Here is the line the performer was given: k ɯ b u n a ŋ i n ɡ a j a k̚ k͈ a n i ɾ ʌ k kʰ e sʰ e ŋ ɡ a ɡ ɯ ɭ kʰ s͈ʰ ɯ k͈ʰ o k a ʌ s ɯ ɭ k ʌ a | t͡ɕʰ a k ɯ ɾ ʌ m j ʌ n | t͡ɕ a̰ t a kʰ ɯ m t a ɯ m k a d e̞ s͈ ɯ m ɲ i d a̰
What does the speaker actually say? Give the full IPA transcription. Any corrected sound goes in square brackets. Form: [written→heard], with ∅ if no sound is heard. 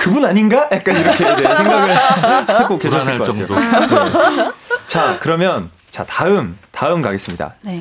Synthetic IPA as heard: k ɯ b u n a [ŋ→ɲ] i n ɡ a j a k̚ k͈ a n i ɾ ʌ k kʰ e sʰ e ŋ ɡ a ɡ ɯ ɭ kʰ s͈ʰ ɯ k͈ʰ o k [a→e] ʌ s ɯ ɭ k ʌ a | [t͡ɕʰ→t͡ɕ] a k ɯ ɾ ʌ m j ʌ n | t͡ɕ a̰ t a [kʰ→∅] ɯ m t a ɯ m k a [d→ɡ] e̞ s͈ ɯ m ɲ i d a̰